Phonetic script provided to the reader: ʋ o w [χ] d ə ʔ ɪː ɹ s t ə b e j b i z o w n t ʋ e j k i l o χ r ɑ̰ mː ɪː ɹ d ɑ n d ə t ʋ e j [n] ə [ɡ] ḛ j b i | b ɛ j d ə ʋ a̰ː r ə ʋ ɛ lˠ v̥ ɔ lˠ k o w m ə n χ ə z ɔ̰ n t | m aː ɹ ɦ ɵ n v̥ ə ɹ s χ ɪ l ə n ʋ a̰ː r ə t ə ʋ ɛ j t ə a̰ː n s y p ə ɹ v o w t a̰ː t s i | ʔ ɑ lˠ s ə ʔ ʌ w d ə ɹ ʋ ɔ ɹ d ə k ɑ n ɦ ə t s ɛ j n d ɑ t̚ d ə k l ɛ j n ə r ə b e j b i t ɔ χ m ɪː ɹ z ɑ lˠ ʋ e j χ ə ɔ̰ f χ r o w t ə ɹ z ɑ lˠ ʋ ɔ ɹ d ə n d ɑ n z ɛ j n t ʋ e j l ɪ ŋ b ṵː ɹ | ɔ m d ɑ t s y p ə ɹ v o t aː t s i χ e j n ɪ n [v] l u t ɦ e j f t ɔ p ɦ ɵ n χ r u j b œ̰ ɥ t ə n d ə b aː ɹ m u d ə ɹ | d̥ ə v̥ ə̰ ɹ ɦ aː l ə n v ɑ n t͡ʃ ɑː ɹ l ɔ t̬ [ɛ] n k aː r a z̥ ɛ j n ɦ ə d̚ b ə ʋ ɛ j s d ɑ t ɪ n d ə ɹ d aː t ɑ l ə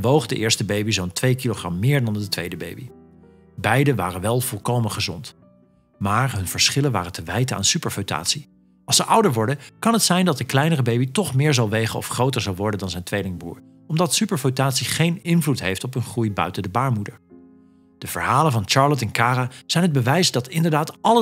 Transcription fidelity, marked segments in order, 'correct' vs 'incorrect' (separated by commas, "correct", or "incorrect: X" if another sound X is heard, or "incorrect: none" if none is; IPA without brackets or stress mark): correct, incorrect: d, incorrect: b, correct, correct